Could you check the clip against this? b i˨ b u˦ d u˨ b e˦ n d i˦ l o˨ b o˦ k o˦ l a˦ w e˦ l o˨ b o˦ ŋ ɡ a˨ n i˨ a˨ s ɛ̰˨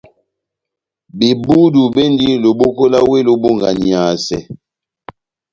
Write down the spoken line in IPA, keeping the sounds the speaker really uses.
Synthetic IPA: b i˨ b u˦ d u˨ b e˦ n d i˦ l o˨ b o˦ k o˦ l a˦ w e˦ l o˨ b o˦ ŋ ɡ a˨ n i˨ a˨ s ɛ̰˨